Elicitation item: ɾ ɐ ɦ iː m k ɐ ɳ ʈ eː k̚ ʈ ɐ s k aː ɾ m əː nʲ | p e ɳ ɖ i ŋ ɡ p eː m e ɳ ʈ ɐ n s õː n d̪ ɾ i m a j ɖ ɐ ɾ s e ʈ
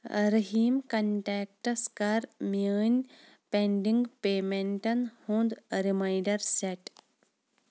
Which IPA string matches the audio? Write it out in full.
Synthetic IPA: ɾ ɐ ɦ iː m k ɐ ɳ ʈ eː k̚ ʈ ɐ s k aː ɾ m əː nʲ | p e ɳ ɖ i ŋ ɡ p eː m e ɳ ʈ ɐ n h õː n d̪ ɾ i m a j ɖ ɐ ɾ s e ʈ